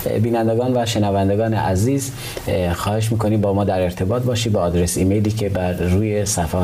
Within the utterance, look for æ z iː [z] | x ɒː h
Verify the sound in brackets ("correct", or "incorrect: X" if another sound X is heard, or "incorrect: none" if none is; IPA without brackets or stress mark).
correct